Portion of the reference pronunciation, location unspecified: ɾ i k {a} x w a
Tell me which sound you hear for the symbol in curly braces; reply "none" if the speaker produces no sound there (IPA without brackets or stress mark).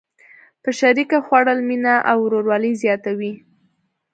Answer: a